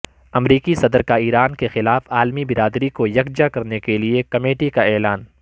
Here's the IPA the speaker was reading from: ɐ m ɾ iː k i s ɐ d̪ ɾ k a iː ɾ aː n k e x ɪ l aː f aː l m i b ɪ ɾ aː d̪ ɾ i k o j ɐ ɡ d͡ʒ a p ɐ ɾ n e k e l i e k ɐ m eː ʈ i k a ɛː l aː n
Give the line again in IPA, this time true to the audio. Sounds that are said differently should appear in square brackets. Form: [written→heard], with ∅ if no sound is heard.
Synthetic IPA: ɐ m ɾ iː k i s ɐ d̪ ɾ k a iː ɾ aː n k e x ɪ l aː f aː l m i b ɪ ɾ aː d̪ ɾ i k o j ɐ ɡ d͡ʒ a [p→k] ɐ ɾ n e k e l i e k ɐ m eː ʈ i k a ɛː l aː n